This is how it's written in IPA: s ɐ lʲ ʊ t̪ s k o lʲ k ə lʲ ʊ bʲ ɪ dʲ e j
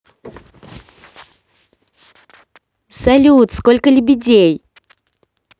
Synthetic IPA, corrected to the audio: s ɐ lʲ u t̪ s k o lʲ k ə lʲ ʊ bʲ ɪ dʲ e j